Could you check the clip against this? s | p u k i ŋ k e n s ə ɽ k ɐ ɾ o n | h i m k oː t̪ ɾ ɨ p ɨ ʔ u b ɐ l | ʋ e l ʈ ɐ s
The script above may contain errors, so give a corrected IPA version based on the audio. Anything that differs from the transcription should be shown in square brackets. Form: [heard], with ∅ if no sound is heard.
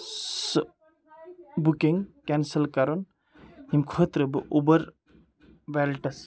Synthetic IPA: s | [b] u k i ŋ k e n s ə [l] k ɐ ɾ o n | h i m [kʰ] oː t̪ ɾ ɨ [b] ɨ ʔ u b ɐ [ɾ] | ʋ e l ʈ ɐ s